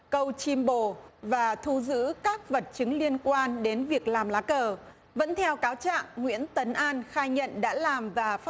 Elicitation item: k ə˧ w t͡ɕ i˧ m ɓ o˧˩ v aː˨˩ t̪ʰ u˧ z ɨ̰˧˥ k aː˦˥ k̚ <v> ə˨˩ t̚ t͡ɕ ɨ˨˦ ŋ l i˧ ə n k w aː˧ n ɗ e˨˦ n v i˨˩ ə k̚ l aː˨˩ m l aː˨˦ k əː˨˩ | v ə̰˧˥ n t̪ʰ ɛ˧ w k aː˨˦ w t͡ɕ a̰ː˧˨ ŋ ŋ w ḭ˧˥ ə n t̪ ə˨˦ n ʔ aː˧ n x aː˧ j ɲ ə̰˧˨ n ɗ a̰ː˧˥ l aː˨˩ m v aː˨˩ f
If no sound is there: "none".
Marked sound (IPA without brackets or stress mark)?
v